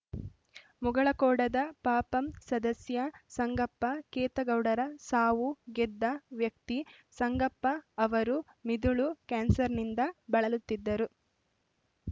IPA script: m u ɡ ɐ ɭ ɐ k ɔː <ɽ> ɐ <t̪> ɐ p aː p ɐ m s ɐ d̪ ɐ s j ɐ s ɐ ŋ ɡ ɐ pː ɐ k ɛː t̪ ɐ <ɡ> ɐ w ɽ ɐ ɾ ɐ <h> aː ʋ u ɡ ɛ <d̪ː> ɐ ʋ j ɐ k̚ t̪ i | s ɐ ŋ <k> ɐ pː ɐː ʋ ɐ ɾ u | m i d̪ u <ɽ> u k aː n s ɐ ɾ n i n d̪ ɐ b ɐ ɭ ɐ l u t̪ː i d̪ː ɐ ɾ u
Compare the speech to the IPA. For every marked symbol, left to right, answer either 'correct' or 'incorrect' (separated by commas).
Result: correct, incorrect, correct, incorrect, correct, incorrect, incorrect